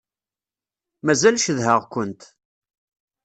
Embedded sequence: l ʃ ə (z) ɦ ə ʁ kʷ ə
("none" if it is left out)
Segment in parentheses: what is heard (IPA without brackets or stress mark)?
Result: ð